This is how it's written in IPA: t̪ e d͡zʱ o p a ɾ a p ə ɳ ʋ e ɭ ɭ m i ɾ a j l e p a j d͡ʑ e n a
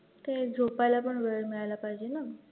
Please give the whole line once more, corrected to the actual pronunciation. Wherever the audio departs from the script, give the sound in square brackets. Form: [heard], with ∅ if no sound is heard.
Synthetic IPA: t̪ e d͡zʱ o p a [l] a p ə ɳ ʋ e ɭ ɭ m i [ɭ] a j l [a] p a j d͡ʑ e n a